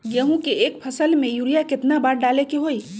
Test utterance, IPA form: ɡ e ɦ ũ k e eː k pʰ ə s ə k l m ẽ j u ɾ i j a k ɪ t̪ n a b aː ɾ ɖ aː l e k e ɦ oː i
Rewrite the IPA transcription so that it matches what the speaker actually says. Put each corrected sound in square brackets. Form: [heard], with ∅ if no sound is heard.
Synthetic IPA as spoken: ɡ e ɦ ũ k e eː k pʰ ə s ə [∅] l m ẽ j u ɾ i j a k ɪ t̪ n a b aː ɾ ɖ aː l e k e ɦ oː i